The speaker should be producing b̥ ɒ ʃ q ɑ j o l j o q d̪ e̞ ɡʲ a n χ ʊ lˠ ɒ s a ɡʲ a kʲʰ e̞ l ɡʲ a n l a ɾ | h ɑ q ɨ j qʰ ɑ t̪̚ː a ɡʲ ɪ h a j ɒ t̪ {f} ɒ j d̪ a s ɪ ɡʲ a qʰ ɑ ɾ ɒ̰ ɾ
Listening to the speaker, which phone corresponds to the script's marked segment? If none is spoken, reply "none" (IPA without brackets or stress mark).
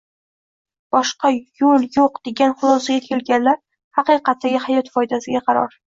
f